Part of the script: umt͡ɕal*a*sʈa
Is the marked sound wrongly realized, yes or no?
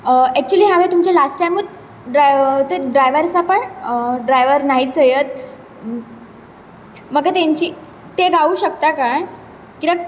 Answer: no